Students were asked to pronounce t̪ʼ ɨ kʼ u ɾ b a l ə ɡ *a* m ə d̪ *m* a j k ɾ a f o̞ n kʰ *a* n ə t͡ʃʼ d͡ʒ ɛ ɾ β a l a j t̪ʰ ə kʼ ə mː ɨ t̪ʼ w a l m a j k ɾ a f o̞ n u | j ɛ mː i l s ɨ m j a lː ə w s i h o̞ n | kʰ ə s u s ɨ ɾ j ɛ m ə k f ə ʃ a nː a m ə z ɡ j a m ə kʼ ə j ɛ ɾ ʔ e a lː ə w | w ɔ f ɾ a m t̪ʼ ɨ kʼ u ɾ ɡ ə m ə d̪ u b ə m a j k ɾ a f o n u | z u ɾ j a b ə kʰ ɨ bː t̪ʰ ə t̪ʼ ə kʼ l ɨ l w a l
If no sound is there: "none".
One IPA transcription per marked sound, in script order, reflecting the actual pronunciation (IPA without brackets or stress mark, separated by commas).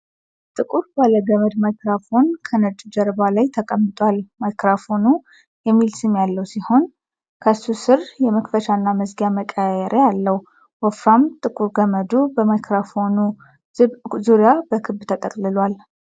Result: ə, m, ə